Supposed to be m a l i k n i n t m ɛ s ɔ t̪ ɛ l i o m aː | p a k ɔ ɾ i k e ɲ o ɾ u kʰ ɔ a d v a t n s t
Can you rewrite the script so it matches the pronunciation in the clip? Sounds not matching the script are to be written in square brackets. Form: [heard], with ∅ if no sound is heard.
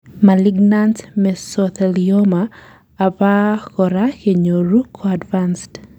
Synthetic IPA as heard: m a l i [ɡ] n [a] n t m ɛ s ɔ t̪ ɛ l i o m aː | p a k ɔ ɾ [a] k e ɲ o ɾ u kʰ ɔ a d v a [∅] n s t